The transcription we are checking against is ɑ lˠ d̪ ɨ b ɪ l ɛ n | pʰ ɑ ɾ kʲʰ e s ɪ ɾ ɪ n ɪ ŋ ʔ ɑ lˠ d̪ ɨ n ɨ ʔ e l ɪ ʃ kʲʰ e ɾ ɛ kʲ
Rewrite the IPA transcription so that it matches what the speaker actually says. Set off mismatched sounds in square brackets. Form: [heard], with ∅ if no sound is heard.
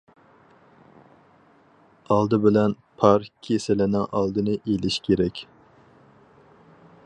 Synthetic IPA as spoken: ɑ lˠ d̪ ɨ b ɪ l ɛ n | pʰ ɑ ɾ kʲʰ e s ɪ [l] ɪ n ɪ ŋ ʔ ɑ lˠ d̪ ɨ n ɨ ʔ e l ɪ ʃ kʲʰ e ɾ ɛ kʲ

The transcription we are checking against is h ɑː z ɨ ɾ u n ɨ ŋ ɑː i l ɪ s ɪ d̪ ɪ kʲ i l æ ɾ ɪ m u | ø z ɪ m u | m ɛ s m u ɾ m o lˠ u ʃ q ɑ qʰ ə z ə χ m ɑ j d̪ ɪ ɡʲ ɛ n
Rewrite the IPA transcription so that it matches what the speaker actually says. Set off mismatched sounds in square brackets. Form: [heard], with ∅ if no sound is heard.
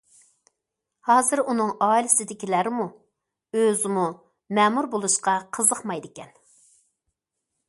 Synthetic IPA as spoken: h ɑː z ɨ ɾ u n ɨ ŋ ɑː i l ɪ s ɪ d̪ ɪ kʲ i l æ ɾ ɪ m u | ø z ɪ m u | m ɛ [∅] m u ɾ [b] o lˠ u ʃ q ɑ qʰ ə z ə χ m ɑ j d̪ ɪ [kʲ] ɛ n

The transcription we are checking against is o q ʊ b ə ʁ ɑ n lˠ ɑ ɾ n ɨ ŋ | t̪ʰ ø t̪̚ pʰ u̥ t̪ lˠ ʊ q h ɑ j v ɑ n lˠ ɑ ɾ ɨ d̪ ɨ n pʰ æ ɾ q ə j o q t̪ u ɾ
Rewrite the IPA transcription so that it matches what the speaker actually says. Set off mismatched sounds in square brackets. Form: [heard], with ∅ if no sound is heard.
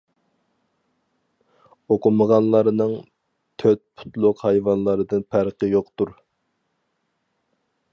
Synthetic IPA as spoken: o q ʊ [m] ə ʁ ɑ n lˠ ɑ ɾ n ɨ ŋ | t̪ʰ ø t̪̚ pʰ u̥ t̪ lˠ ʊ q h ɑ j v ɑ n lˠ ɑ ɾ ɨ d̪ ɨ n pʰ æ ɾ q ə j o q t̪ u ɾ

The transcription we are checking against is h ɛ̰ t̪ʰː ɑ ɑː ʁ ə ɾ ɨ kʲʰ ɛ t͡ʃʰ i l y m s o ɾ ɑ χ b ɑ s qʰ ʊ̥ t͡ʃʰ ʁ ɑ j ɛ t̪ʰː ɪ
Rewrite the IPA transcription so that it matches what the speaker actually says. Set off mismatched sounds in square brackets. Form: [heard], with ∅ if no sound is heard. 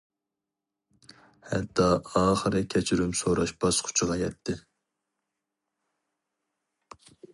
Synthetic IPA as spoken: h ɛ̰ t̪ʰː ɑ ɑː [χ] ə ɾ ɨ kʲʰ ɛ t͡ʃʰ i [ɾ] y m s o ɾ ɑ [ʃ] b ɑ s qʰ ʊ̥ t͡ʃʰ ʁ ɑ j ɛ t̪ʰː ɪ

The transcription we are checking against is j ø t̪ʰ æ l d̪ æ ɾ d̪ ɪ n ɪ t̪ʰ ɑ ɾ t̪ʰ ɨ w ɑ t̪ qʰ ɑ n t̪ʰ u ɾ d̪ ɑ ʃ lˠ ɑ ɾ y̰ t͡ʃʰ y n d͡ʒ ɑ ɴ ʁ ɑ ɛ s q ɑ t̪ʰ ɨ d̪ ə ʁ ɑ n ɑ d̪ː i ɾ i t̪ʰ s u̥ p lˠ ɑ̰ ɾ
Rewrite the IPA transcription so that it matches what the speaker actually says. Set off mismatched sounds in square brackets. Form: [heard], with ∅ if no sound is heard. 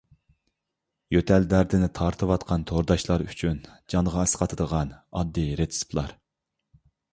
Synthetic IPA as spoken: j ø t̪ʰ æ l d̪ æ ɾ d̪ ɪ n ɪ t̪ʰ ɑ ɾ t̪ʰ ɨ w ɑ t̪ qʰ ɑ n t̪ʰ [o] ɾ d̪ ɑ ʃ lˠ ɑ ɾ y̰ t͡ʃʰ y n d͡ʒ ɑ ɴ ʁ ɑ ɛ s q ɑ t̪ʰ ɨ d̪ ə ʁ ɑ n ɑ d̪ː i ɾ [e] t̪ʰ s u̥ p lˠ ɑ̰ ɾ

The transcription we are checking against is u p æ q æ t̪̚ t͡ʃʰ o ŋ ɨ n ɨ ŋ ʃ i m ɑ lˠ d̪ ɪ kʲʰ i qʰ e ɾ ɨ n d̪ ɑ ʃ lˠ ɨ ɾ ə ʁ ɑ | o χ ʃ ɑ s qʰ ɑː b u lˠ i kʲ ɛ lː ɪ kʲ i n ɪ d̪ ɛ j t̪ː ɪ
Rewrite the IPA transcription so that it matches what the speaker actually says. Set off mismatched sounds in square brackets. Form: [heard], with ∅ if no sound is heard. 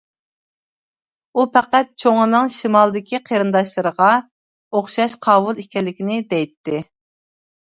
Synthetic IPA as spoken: u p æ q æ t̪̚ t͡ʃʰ o ŋ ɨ n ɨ ŋ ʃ i m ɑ lˠ d̪ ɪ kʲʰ i qʰ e ɾ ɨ n d̪ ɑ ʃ lˠ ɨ ɾ ə ʁ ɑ | o χ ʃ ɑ [ʃ] qʰ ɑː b u lˠ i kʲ ɛ lː ɪ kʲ i n ɪ d̪ ɛ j t̪ː ɪ

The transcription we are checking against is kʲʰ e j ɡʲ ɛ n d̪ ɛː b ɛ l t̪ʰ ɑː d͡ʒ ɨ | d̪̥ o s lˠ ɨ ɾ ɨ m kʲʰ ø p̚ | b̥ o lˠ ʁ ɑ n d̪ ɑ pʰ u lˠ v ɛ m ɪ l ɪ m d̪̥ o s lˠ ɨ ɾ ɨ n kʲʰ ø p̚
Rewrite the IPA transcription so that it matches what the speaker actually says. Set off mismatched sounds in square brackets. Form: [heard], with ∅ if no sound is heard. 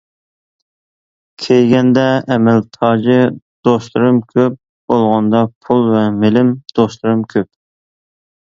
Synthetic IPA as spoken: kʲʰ e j ɡʲ ɛ n d̪ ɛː [m] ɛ l t̪ʰ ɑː d͡ʒ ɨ | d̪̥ o s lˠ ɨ ɾ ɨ m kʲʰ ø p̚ | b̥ o lˠ ʁ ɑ n d̪ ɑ pʰ u lˠ v ɛ m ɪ l ɪ m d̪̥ o s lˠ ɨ ɾ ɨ [m] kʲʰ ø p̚

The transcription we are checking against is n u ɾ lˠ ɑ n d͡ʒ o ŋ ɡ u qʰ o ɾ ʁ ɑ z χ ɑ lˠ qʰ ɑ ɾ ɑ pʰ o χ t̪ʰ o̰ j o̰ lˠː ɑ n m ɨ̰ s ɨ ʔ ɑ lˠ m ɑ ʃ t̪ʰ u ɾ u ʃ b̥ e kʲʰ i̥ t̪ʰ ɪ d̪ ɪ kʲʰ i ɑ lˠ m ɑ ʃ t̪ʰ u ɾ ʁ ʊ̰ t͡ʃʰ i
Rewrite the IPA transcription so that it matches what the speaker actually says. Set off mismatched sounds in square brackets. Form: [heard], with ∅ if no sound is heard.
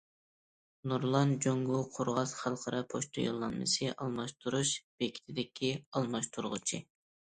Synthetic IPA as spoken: n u ɾ lˠ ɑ n d͡ʒ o ŋ ɡ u qʰ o ɾ ʁ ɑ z χ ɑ lˠ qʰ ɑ ɾ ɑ pʰ o [ʃ] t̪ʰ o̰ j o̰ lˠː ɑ n m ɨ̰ s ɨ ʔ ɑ lˠ m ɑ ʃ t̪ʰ u ɾ u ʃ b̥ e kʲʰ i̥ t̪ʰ ɪ d̪ ɪ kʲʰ i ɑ lˠ m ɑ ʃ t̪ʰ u ɾ ʁ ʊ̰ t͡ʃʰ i

